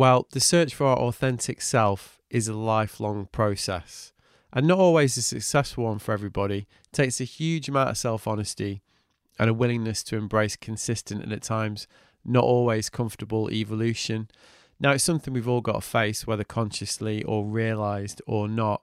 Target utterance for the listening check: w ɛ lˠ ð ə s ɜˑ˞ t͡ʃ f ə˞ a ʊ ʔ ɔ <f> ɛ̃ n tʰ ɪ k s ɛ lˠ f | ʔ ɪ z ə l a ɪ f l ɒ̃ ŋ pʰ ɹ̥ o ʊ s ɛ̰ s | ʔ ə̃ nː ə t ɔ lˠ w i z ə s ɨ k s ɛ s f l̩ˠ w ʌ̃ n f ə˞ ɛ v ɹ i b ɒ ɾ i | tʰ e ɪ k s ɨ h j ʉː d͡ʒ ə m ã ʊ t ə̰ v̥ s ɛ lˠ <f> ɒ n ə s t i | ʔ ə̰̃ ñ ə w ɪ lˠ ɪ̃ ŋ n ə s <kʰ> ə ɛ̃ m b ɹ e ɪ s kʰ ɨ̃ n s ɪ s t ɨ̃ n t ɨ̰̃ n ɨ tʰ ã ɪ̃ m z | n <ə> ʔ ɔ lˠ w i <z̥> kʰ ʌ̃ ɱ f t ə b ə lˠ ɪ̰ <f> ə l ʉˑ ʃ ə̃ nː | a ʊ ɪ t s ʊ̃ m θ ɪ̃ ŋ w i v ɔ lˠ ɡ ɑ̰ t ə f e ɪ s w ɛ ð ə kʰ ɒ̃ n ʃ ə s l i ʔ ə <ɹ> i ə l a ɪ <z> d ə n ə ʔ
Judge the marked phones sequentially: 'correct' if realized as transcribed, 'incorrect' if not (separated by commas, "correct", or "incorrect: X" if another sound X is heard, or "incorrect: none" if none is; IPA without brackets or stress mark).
incorrect: θ, correct, incorrect: tʰ, correct, correct, incorrect: v, correct, correct